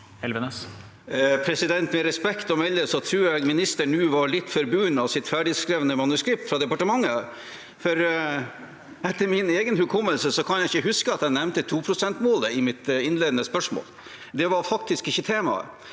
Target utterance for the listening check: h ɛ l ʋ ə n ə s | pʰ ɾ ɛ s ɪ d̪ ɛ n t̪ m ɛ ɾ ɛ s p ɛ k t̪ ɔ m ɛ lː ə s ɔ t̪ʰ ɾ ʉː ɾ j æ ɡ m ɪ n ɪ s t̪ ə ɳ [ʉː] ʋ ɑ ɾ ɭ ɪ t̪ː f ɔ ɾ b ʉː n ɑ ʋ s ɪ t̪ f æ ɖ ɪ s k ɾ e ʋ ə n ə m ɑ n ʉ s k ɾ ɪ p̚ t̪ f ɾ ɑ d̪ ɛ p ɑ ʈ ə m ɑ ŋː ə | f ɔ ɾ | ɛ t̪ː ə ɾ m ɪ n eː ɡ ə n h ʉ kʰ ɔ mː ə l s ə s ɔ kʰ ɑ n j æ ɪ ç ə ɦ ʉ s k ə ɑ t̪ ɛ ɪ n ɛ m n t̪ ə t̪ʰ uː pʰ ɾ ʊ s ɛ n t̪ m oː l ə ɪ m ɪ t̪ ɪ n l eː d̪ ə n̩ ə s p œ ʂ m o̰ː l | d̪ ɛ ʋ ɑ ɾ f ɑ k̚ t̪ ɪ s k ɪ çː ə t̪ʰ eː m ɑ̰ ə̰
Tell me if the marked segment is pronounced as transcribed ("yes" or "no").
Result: yes